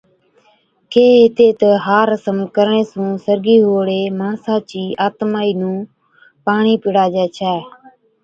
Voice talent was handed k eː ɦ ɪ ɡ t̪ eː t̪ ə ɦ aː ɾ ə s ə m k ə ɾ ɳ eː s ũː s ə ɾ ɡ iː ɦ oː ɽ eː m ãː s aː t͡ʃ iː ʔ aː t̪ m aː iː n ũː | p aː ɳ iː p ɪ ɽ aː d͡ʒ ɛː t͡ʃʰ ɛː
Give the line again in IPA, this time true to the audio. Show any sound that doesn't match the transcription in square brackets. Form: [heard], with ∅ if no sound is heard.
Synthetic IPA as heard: k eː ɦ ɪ [∅] t̪ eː t̪ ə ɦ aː ɾ ə s ə m k ə ɾ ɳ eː s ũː s ə ɾ ɡ iː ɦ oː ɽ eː m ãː s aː t͡ʃ iː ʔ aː t̪ m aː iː n ũː | p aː ɳ iː p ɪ ɽ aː d͡ʒ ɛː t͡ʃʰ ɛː